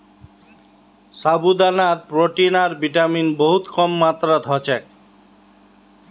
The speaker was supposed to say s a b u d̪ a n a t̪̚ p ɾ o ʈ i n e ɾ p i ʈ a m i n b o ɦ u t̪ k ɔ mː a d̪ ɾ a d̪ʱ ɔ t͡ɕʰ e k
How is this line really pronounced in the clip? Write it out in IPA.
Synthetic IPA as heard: s a b u d̪ a n a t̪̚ p ɾ o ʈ i n a ɾ b i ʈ a m i n b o ɦ u t̪ k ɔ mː a t̪ ɾ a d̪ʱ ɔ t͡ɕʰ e k